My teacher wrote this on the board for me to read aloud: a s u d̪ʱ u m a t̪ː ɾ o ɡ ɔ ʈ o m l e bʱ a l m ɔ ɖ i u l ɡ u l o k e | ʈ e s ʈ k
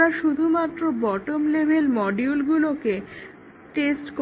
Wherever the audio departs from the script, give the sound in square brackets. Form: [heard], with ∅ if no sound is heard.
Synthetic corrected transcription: a [ʃ] u d̪ʱ u m a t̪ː ɾ o [b] ɔ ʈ o m l e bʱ [e] l m ɔ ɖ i u l ɡ u l o k e | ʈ e s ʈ k